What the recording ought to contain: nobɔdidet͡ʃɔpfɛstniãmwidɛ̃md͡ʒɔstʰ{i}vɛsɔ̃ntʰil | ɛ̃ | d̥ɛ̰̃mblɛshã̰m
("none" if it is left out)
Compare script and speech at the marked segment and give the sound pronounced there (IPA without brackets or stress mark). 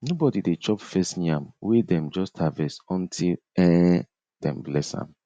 a